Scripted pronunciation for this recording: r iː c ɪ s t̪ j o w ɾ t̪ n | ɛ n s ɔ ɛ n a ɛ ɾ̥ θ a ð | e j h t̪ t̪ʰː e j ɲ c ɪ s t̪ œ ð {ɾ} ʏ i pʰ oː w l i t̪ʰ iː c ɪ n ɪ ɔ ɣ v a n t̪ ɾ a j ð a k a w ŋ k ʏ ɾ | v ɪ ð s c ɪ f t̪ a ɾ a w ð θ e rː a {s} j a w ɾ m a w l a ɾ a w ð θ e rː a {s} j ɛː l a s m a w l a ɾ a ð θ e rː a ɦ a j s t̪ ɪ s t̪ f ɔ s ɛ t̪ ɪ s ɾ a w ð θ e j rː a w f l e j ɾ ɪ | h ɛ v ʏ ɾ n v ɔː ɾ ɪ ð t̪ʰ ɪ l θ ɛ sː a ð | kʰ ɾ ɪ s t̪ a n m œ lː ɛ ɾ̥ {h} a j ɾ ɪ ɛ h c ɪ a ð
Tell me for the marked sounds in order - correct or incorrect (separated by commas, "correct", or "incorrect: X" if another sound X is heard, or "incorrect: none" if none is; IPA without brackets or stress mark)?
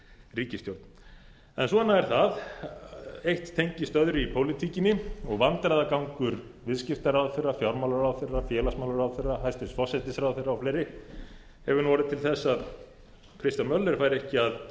correct, incorrect: f, incorrect: f, incorrect: f